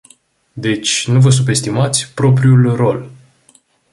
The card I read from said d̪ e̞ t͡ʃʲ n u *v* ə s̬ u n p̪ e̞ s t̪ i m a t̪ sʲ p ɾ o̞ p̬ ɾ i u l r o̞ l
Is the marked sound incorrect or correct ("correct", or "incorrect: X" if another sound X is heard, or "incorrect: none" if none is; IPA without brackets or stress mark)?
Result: correct